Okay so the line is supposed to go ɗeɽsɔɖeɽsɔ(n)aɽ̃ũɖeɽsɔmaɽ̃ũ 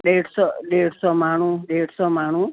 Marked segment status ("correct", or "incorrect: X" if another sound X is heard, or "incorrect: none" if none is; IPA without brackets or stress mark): incorrect: m